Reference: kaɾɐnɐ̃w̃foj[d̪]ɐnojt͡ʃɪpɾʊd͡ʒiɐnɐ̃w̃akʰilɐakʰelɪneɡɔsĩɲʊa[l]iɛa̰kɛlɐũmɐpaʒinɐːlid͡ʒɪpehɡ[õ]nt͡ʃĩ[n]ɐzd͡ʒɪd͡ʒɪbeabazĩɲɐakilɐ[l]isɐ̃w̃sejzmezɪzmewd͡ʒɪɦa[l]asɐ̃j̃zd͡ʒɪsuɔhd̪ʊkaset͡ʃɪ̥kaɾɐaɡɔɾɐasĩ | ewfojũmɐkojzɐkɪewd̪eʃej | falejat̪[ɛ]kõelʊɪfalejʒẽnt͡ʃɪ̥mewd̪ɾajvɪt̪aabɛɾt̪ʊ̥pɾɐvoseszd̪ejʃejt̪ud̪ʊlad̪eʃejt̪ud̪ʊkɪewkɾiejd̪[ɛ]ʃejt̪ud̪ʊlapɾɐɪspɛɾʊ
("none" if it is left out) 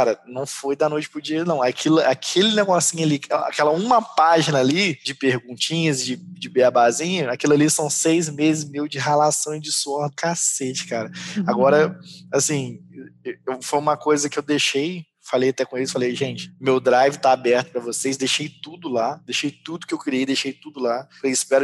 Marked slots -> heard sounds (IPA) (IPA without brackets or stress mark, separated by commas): d̪, l, ũ, ɲ, l, l, ɛ, e